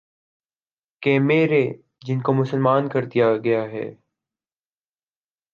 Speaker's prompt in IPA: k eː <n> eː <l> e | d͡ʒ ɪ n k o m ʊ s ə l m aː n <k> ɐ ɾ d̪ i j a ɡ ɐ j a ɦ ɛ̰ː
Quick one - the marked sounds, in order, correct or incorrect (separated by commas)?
incorrect, incorrect, correct